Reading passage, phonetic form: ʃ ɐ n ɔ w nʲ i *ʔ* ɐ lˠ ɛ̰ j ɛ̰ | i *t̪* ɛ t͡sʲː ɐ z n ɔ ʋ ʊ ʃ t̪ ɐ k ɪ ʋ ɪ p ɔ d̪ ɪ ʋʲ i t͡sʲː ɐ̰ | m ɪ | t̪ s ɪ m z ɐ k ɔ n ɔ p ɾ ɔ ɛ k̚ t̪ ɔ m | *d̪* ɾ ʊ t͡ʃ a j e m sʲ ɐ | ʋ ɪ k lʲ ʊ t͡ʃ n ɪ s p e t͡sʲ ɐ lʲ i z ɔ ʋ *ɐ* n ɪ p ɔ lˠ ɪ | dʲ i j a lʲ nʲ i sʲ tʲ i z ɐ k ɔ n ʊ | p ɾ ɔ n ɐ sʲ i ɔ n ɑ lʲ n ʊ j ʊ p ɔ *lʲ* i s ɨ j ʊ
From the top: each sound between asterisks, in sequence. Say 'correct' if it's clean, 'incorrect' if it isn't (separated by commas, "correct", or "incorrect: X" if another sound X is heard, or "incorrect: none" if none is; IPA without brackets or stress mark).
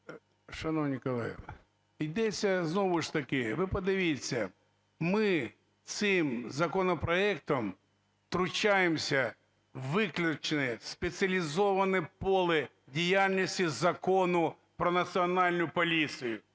incorrect: k, incorrect: d̪, incorrect: t̪, correct, correct